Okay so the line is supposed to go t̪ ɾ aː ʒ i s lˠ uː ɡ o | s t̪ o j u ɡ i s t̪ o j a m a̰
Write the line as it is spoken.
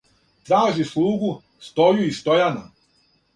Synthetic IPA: t̪ ɾ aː ʒ i s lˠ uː ɡ u | s t̪ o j u i s t̪ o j a n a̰